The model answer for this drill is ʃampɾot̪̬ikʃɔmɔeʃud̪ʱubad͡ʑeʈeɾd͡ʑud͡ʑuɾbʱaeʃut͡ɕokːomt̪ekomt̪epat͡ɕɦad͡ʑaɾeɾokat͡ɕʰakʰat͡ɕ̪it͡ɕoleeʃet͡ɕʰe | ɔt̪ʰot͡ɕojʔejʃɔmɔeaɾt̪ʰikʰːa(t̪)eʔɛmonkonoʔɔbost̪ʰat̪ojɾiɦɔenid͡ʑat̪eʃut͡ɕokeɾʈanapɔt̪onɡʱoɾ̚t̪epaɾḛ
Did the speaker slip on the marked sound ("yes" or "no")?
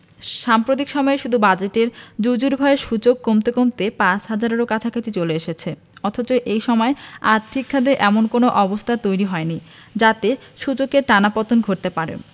yes